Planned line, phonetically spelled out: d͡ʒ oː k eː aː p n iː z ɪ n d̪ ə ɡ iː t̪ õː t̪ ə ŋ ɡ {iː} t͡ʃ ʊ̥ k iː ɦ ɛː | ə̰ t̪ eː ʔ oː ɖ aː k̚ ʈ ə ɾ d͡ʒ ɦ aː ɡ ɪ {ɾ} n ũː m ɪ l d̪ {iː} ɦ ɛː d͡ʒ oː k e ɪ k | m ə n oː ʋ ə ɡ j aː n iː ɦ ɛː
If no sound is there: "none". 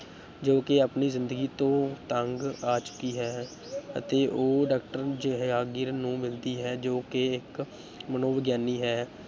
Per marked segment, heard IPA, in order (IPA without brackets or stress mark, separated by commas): aː, ɾ, iː